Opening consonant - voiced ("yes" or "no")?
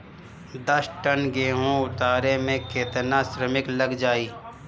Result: yes